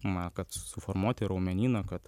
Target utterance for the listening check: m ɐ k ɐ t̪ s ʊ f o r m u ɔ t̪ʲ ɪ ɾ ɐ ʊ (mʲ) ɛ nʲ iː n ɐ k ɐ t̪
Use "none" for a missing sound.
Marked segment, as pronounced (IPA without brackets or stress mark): mʲ